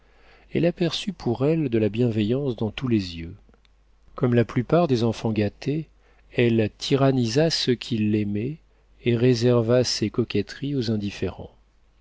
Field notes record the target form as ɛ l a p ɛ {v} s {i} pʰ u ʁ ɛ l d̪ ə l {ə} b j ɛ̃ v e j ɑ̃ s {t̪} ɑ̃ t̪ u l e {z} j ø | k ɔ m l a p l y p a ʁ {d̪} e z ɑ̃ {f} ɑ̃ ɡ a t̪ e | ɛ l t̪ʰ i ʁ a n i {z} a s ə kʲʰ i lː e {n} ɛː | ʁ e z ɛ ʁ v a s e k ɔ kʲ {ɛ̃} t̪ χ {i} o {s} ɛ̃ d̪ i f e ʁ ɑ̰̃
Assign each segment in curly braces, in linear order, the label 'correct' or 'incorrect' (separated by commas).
incorrect, incorrect, incorrect, incorrect, correct, correct, correct, correct, incorrect, incorrect, correct, incorrect